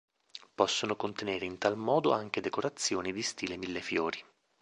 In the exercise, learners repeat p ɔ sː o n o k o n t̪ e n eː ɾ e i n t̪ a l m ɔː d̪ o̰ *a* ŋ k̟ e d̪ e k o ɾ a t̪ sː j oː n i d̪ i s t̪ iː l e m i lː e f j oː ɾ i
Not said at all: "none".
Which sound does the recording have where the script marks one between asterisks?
a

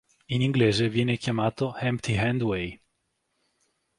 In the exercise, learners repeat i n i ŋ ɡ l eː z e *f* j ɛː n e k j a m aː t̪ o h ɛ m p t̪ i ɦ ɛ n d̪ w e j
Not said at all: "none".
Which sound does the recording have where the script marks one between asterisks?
v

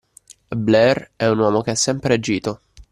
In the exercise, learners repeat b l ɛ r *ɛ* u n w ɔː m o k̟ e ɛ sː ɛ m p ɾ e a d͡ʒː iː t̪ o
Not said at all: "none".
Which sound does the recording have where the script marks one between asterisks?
ɛ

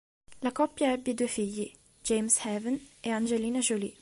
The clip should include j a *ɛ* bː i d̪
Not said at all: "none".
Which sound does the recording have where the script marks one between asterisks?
ɛ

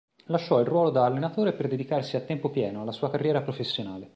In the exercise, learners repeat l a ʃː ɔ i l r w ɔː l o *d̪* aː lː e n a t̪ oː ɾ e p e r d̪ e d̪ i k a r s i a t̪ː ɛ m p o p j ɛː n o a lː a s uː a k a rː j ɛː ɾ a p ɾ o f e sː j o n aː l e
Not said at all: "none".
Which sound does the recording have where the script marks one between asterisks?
d̪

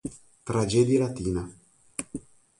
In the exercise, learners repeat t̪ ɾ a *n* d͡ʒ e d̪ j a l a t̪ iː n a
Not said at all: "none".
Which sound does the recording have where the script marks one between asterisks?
none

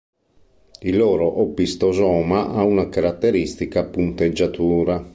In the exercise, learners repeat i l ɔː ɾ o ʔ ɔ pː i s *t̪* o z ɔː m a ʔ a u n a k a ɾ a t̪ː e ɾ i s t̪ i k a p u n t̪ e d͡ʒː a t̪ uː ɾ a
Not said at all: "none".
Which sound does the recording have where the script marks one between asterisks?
t̪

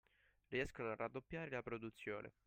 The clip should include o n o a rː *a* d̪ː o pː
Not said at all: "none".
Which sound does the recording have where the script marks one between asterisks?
a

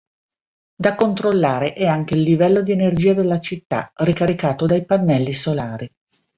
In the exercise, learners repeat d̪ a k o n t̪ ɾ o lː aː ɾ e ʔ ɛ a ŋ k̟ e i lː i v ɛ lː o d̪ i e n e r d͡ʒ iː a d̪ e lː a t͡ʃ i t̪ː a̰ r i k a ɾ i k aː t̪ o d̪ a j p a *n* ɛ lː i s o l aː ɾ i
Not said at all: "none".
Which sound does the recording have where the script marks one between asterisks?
nː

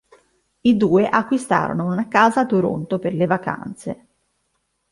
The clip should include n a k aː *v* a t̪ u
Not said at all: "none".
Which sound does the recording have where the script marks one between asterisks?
z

